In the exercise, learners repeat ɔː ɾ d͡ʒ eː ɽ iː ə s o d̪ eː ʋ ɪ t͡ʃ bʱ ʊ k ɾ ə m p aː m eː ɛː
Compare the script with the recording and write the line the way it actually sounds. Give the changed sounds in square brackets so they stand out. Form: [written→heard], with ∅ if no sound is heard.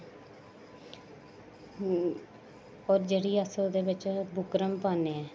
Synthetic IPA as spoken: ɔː ɾ d͡ʒ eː ɽ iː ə s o d̪ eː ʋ ɪ t͡ʃ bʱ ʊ k ɾ ə m p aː [m→n] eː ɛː